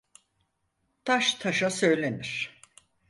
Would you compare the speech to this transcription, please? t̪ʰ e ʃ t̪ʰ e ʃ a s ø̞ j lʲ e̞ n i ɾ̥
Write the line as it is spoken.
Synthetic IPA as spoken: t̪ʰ a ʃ t̪ʰ a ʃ a s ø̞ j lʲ e̞ n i ɾ̥